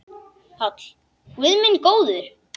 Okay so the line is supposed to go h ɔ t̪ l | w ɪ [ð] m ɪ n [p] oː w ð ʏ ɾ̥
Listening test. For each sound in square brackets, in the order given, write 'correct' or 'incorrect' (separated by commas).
correct, incorrect